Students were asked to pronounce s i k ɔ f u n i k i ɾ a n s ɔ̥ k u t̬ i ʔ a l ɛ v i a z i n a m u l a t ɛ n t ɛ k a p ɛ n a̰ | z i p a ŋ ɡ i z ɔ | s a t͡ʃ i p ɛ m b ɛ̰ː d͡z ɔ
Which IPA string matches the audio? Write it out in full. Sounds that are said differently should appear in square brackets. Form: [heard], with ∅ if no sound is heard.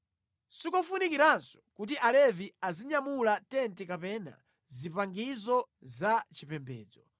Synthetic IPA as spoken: s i k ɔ f u n i k i ɾ a n s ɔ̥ k u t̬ i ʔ a l ɛ v i a z i [ɲ] a m u l a t ɛ n t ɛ k a p ɛ n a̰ | z i p a ŋ ɡ i z ɔ | [z] a t͡ʃ i p ɛ m b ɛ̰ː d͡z ɔ